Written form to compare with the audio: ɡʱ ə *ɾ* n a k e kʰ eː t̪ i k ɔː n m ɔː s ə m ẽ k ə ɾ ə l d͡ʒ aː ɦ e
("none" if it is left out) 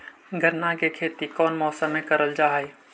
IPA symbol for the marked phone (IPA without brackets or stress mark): ɾ